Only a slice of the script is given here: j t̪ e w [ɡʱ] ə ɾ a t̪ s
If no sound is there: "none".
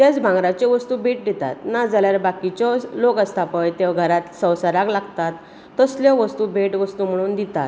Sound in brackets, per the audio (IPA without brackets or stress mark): ɡʱ